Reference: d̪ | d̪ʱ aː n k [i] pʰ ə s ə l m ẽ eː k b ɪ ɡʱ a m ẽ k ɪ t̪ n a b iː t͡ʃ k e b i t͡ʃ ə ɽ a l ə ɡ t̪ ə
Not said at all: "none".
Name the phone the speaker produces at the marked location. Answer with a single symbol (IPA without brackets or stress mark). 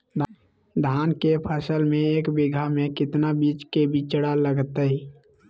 e